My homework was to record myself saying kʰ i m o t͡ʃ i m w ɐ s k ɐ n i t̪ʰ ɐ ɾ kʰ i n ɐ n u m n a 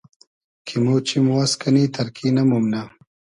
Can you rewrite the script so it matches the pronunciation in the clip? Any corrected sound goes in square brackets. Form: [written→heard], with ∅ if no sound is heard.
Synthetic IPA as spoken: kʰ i m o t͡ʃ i m w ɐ s k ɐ n i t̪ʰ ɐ ɾ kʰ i n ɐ [n→m] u m n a